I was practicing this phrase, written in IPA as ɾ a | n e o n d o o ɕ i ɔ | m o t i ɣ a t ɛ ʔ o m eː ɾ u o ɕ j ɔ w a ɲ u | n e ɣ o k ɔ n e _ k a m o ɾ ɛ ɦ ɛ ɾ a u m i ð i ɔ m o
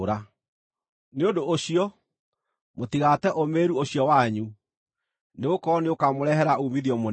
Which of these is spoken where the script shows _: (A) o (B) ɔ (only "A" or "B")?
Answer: A